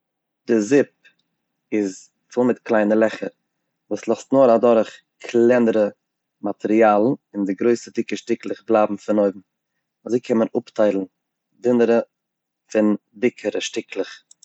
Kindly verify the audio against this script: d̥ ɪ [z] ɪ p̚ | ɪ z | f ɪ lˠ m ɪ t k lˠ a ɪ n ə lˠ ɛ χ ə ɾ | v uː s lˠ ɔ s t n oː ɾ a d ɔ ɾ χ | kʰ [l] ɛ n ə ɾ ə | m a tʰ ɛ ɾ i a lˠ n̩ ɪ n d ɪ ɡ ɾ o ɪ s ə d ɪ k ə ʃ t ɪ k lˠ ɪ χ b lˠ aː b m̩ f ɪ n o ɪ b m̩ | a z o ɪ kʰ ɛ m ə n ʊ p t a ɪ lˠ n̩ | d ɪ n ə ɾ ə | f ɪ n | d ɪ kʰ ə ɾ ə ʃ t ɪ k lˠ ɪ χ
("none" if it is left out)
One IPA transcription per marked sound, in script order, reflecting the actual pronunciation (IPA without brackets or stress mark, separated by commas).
z, l